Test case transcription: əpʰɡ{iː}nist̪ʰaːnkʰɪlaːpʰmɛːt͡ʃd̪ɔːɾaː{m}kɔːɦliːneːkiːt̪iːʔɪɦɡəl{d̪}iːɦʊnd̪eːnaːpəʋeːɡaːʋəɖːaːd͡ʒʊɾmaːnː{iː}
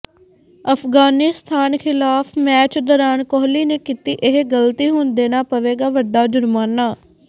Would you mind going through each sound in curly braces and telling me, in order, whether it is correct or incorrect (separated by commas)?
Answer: incorrect, incorrect, incorrect, incorrect